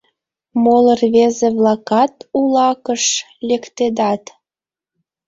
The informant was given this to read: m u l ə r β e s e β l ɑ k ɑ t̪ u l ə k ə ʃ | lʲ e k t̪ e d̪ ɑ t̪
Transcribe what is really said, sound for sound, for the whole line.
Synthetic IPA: m o l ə r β e z e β l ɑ k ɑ t̪ u l ɑ k ə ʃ | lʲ e k t̪ e d̪ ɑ t̪